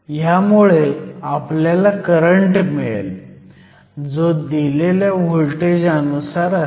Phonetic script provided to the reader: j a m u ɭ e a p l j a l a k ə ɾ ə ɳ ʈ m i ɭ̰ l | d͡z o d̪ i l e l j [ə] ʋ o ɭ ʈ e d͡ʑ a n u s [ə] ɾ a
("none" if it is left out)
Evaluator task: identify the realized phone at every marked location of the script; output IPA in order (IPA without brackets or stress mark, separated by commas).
a, a